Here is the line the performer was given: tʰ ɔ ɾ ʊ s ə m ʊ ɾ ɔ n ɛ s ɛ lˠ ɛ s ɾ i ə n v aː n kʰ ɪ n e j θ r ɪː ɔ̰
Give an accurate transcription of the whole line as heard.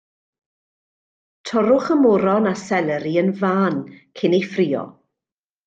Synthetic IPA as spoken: tʰ ɔ ɾ ʊ χ ə m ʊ ɾ ɔ n a s ɛ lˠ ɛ ɾ i ə n v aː n kʰ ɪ n e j f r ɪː ɔ̰